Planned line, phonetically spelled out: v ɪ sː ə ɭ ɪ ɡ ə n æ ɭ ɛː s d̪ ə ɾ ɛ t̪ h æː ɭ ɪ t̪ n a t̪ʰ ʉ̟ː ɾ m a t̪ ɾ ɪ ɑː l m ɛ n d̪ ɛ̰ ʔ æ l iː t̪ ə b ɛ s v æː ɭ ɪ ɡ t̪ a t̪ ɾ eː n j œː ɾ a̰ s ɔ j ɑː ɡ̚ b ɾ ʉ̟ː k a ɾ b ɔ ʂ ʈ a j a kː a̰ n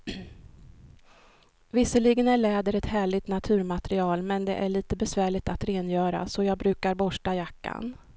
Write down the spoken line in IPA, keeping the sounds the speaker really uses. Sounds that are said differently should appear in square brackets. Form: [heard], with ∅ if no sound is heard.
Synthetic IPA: v ɪ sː ə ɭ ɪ ɡ ə n æ ɭ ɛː [∅] d̪ ə ɾ ɛ t̪ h æː ɭ ɪ t̪ n a t̪ʰ ʉ̟ː ɾ m a t̪ ɾ ɪ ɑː l m ɛ n d̪ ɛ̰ ʔ æ [ɭ] iː t̪ ə b ɛ s v æː ɭ ɪ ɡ t̪ a t̪ ɾ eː n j œː ɾ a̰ s ɔ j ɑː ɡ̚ b ɾ ʉ̟ː k a ɾ b ɔ ʂ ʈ a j a kː a̰ n